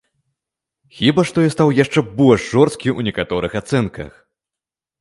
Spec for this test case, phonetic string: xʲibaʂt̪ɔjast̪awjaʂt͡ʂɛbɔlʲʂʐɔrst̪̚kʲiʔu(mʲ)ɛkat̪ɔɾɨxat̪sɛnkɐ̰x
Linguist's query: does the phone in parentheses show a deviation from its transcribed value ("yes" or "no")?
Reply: yes